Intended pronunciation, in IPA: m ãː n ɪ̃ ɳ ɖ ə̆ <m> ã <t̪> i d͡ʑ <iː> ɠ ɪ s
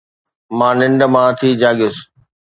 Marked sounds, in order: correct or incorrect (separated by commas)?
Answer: correct, incorrect, incorrect